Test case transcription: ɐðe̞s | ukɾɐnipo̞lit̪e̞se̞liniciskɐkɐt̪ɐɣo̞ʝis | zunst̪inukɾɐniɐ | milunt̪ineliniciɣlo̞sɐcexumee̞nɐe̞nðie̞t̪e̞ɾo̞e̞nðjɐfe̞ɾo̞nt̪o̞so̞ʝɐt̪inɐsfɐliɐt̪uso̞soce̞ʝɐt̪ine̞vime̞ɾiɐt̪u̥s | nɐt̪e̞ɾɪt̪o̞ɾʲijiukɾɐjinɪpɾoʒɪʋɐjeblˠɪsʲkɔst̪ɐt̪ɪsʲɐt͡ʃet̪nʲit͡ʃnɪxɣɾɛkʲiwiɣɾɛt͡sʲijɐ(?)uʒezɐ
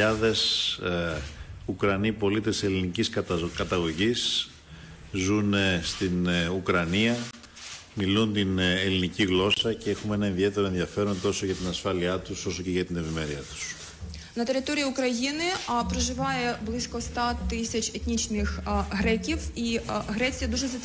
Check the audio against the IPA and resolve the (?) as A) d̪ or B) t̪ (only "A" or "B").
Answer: A